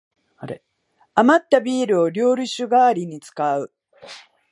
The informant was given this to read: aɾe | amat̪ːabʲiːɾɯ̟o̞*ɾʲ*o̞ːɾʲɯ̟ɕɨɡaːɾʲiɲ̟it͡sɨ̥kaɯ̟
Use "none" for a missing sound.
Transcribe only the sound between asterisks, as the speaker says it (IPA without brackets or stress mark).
ɾʲ